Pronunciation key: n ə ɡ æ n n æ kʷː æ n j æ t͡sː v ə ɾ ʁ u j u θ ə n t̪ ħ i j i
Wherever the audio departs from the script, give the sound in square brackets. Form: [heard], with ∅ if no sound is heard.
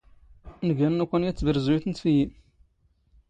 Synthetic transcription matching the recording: n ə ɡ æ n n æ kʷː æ n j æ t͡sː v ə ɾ [z] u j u θ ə n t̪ [f] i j i